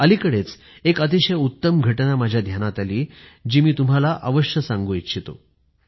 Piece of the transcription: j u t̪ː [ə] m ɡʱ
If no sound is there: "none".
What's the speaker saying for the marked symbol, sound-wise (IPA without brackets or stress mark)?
ə